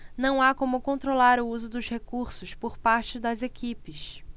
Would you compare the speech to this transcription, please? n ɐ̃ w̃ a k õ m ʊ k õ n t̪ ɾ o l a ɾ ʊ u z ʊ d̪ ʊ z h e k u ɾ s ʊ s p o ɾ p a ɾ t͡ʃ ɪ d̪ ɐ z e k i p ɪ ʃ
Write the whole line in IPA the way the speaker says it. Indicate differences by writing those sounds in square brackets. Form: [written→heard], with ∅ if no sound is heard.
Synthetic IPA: n ɐ̃ w̃ a k õ m ʊ k õ n t̪ ɾ o l a ɾ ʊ u z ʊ d̪ ʊ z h e k u ɾ s ʊ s p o ɾ p a ɾ t͡ʃ ɪ d̪ ɐ z e k i p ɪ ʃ